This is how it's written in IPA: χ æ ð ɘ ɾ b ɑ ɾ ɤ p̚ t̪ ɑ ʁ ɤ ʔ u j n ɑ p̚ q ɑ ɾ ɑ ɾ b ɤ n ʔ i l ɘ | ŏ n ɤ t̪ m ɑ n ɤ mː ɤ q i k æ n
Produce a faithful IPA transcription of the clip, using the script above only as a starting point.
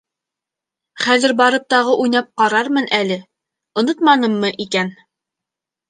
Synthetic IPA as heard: χ æ ð ɘ ɾ b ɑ ɾ ɤ p̚ t̪ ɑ ʁ ɤ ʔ u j n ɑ p̚ q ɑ ɾ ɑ ɾ m ɤ n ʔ æ l ɘ | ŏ n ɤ t̪ m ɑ n ɤ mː ɤ ʔ i k æ n